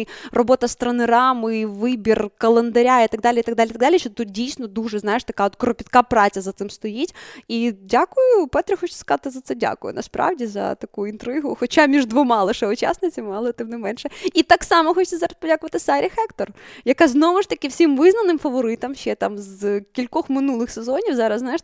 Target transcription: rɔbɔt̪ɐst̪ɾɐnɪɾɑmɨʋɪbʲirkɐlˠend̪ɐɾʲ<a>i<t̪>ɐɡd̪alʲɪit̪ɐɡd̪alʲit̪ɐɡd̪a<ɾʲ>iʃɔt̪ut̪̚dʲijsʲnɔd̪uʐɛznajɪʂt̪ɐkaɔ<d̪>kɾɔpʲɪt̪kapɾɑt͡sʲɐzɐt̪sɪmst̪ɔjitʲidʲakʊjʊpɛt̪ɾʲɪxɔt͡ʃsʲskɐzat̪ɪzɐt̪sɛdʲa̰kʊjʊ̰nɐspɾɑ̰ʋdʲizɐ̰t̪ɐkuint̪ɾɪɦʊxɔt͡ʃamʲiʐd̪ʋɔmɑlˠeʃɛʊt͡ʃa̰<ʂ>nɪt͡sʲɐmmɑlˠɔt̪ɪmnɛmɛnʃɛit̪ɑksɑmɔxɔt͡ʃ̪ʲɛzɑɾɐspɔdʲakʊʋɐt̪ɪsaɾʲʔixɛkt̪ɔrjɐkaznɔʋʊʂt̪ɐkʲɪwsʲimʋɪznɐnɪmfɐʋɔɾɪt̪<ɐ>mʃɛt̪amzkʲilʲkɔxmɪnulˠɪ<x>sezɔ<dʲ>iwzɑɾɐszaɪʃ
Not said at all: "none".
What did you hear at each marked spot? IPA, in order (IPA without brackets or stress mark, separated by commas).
a, t̪, lʲ, t̪, s, ɐ, x, nʲ